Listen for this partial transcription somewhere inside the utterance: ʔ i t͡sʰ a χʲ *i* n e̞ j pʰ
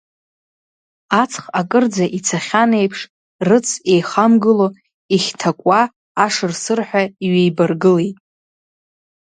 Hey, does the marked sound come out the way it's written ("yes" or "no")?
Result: no